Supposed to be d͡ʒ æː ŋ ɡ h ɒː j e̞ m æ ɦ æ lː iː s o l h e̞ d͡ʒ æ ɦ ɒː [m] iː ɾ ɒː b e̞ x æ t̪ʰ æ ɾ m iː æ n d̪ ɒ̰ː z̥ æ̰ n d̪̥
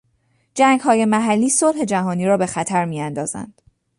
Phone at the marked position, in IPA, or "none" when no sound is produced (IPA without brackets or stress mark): n